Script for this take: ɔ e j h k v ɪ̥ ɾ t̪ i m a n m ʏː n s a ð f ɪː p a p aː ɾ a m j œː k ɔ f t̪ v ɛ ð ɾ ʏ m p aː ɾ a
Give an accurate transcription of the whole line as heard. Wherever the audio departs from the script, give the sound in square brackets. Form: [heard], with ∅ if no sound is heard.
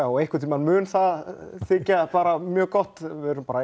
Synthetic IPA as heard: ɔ e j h k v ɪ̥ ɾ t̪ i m a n m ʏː n [θ] a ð [θ] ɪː [c] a p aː ɾ a m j œː k ɔ [h] t̪ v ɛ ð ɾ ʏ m p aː ɾ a